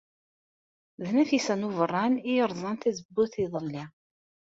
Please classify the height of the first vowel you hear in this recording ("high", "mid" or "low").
low